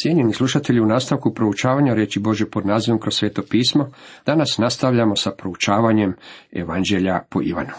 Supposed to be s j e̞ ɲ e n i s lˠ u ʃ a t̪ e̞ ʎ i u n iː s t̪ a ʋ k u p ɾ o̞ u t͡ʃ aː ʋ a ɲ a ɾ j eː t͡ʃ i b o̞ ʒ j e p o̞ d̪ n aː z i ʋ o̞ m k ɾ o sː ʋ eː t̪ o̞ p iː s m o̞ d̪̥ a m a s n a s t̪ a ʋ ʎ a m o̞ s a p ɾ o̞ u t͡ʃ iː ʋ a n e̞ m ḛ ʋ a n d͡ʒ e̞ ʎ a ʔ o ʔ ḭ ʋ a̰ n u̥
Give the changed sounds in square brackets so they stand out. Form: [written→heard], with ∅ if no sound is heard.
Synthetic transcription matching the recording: s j e̞ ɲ e n i s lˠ u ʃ a t̪ e̞ ʎ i u n [iː→aː] s t̪ a ʋ k u p ɾ o̞ u t͡ʃ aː ʋ a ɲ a ɾ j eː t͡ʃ i b o̞ ʒ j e p o̞ d̪ n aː z i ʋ o̞ m k ɾ o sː ʋ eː t̪ o̞ p iː s m o̞ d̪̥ a [m→n] a s n a s t̪ a ʋ ʎ a m o̞ s a p ɾ o̞ u t͡ʃ [iː→aː] ʋ a [n→ɲ] e̞ m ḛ ʋ a n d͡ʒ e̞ ʎ a [ʔ→p] o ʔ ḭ ʋ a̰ n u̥